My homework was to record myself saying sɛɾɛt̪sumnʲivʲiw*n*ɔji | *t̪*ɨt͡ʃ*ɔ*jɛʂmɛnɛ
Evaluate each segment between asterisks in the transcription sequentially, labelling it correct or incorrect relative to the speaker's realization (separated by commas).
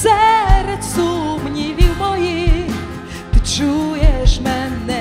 incorrect, correct, incorrect